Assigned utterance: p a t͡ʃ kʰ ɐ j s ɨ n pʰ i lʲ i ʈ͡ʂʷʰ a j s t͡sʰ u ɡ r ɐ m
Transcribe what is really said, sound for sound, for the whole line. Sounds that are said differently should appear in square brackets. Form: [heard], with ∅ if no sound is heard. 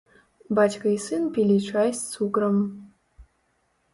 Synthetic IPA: [b] a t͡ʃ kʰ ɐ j s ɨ n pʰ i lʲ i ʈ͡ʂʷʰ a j s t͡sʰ u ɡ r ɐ m